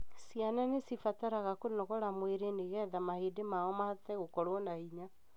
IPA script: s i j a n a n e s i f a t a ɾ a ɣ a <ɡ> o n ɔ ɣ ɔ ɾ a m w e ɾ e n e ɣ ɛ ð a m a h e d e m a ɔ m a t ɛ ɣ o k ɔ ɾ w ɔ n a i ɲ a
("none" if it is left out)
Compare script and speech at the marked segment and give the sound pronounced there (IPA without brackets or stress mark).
k